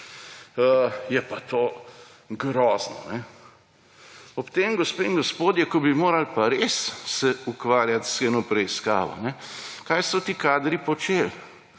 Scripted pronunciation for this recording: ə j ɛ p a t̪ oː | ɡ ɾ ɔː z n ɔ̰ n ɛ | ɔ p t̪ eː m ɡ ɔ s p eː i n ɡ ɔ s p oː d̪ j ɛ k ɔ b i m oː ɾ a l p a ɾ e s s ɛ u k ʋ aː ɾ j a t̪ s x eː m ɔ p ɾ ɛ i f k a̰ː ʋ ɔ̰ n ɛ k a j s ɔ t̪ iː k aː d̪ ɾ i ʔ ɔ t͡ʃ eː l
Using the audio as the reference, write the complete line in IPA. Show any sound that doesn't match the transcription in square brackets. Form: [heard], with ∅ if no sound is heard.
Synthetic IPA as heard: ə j ɛ p a t̪ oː | ɡ ɾ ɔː z n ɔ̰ n ɛ | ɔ p t̪ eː m ɡ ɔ s p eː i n ɡ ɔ s p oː d̪ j ɛ k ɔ b i m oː ɾ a l p a ɾ e s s ɛ u k ʋ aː ɾ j a t̪ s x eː [n] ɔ p ɾ ɛ i [s] k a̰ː ʋ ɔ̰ n ɛ k a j s ɔ t̪ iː k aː d̪ ɾ i [p] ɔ t͡ʃ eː l